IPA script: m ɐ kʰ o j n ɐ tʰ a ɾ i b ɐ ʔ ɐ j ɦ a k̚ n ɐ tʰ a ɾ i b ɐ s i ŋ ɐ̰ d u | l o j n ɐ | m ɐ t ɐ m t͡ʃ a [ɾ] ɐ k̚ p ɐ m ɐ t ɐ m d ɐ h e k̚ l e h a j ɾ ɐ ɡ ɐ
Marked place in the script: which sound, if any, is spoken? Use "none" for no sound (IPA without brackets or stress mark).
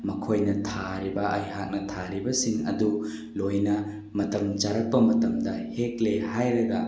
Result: ɾ